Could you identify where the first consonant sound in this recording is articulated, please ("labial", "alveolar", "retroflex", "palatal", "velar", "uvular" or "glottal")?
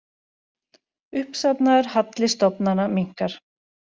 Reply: glottal